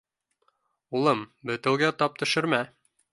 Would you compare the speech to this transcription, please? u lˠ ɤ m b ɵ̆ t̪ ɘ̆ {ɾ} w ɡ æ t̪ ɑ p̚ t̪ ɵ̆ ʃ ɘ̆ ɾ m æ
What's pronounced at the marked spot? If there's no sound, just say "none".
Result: none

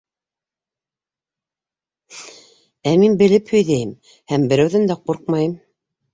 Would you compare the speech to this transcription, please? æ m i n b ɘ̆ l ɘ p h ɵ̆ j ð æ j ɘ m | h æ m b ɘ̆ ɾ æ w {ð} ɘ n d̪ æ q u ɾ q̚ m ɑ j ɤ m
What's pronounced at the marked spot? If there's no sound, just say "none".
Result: ð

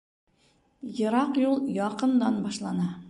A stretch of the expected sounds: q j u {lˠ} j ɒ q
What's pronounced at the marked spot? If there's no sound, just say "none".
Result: lˠ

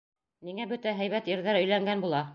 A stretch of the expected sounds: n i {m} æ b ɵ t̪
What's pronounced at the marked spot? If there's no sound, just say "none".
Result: ŋ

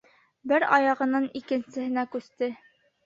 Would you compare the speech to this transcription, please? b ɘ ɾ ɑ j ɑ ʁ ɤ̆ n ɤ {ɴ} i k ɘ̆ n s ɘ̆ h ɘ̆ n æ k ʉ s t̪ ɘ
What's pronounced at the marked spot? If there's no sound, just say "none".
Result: n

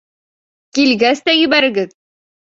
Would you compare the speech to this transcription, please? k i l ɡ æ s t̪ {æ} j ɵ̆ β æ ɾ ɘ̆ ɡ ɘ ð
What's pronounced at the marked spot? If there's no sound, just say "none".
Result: æ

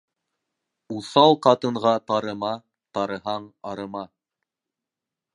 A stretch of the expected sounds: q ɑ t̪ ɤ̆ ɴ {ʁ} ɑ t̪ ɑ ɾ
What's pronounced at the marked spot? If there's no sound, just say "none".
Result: ʁ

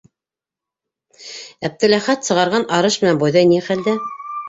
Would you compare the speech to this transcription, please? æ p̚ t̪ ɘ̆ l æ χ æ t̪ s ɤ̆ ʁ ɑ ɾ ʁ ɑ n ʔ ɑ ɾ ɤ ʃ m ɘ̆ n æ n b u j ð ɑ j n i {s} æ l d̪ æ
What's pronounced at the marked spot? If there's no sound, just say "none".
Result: χ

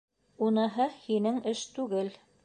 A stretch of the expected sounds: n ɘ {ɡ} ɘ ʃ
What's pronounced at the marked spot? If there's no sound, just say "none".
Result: ŋ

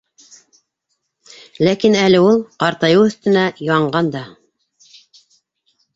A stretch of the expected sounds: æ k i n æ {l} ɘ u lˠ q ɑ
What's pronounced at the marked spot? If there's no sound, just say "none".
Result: l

